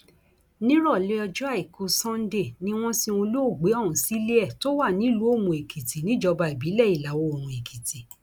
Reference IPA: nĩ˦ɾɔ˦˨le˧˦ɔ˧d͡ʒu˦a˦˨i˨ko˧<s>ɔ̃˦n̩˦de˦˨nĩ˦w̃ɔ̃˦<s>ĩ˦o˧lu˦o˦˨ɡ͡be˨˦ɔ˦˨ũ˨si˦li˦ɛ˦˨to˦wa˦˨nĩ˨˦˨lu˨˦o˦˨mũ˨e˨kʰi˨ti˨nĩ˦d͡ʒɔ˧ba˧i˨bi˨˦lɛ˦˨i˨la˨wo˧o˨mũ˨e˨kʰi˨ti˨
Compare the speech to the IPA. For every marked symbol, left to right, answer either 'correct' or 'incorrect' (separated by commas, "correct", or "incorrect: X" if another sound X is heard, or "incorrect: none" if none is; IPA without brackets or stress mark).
correct, correct